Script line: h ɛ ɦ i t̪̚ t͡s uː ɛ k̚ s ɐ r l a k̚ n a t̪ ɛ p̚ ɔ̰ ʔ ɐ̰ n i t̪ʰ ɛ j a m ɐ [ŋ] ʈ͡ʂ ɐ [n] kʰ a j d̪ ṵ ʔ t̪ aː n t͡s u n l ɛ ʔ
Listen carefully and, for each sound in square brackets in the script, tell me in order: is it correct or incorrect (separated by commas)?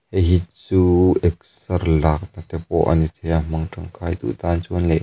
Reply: correct, incorrect